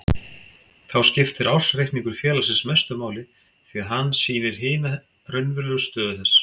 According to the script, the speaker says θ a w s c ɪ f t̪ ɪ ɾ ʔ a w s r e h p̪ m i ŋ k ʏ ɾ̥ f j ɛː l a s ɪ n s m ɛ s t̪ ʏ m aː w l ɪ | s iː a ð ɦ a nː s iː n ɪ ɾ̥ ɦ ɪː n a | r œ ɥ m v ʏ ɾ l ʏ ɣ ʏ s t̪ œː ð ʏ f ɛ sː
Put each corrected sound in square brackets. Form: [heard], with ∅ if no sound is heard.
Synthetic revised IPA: θ a w s c ɪ f t̪ ɪ ɾ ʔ a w s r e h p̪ [n] i ŋ k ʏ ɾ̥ f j ɛː l a s ɪ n s m ɛ s t̪ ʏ m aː w l ɪ | [θ] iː a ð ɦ a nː s iː n ɪ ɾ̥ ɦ ɪː n a | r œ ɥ [n] v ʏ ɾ l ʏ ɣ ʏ s t̪ œː ð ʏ [θ] ɛ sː